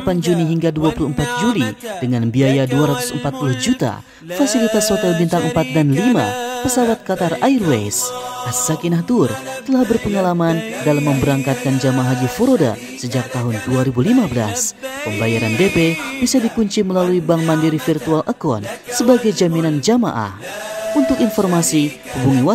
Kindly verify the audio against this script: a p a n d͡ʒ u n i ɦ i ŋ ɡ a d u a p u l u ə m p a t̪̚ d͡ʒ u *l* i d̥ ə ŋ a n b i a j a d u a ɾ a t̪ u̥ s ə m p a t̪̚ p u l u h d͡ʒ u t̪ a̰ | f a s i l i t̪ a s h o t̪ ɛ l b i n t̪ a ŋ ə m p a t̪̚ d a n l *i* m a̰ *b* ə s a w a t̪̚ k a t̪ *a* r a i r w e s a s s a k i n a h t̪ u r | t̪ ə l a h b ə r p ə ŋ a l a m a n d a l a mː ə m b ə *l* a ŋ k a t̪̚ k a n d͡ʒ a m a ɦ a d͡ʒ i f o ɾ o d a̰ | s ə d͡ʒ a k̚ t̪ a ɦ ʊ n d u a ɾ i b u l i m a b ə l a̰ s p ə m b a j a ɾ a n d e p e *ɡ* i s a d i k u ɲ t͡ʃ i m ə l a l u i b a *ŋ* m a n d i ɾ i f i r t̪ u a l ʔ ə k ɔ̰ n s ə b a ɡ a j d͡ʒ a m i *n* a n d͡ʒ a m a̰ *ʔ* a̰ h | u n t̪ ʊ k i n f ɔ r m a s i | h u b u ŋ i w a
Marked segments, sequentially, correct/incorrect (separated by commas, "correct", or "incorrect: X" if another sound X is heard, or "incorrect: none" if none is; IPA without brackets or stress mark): correct, correct, incorrect: p, correct, incorrect: ɾ, incorrect: b, correct, correct, correct